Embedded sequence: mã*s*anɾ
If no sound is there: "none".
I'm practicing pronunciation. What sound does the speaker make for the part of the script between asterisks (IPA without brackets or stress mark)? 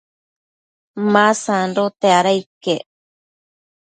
s